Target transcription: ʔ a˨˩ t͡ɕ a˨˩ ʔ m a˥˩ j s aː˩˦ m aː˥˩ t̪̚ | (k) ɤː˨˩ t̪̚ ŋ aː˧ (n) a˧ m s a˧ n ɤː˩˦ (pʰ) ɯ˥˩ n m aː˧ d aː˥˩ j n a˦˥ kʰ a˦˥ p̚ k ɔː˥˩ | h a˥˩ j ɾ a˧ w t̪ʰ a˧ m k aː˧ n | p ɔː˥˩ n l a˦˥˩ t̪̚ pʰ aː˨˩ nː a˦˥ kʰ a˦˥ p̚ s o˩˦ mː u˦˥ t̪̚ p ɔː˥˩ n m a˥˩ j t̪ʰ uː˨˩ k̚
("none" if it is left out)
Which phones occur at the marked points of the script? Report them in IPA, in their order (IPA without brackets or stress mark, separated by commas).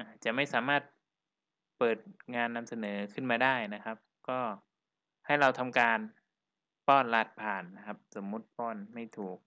p, nː, kʰ